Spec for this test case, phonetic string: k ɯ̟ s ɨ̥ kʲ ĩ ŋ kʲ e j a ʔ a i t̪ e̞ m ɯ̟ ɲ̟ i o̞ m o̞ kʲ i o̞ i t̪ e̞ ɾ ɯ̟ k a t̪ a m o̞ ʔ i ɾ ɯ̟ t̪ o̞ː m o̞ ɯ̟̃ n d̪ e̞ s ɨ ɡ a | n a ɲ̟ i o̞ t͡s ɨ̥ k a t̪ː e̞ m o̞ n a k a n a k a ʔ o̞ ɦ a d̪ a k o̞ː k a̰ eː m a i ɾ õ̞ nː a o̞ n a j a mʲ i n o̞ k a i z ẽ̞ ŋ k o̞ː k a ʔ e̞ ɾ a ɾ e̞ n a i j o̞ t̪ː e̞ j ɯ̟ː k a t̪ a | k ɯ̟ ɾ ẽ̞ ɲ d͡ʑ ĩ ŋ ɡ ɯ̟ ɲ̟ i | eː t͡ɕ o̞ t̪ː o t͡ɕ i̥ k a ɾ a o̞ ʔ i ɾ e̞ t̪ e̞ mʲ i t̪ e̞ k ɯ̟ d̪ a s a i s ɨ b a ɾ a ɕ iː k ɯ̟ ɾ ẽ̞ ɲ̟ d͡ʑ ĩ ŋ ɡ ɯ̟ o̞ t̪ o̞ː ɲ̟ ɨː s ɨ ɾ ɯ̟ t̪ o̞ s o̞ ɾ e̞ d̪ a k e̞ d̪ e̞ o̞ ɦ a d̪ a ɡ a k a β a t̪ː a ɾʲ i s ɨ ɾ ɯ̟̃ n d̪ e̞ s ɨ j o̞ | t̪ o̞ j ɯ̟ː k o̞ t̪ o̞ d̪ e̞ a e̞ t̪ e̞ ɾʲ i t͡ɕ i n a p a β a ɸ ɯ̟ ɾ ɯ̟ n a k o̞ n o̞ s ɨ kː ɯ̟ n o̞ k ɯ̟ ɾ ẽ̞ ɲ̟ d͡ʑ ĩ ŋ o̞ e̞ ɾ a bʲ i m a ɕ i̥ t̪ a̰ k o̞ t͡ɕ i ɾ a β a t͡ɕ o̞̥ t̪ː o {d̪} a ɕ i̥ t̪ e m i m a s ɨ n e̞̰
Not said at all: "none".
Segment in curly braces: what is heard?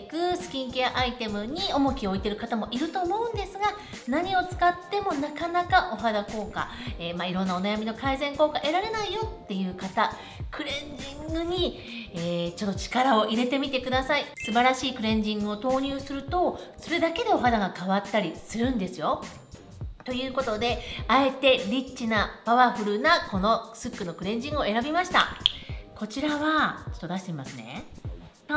d̪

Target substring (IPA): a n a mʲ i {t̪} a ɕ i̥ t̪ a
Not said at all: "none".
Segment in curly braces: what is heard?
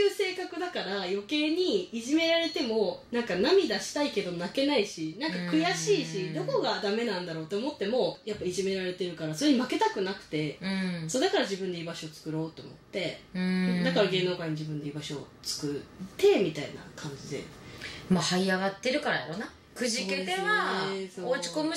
d̪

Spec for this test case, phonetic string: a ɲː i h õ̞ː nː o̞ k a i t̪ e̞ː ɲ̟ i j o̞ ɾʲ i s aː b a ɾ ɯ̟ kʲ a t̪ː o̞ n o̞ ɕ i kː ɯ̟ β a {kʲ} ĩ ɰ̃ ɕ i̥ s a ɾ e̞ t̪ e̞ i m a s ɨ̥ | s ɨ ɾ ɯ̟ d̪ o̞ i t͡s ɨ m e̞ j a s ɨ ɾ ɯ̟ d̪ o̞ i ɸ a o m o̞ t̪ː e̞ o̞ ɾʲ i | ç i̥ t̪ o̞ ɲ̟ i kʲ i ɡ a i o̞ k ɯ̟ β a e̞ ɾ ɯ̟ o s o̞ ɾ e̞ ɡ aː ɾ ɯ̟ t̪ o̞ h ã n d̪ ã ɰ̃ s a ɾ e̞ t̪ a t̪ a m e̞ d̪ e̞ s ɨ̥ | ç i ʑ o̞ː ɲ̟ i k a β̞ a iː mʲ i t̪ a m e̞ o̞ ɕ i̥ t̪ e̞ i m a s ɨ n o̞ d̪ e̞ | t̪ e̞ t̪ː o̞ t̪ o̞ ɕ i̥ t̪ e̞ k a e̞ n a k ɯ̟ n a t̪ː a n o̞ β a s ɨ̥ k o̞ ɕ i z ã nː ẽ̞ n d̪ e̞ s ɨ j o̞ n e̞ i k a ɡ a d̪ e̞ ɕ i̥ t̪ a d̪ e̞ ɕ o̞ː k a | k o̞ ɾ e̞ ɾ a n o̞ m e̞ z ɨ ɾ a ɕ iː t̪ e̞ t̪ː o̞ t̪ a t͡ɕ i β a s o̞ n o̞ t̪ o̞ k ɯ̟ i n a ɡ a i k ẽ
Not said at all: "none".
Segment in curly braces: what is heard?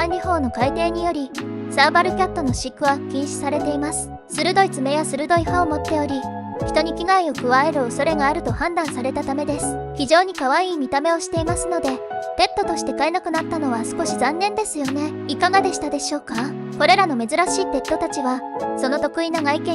kʲ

